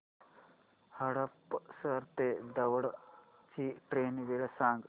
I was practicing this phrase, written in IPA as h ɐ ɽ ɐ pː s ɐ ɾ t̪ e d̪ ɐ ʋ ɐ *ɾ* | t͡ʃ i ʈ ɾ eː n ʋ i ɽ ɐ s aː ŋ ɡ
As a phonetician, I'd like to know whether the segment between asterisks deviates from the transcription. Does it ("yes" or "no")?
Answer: yes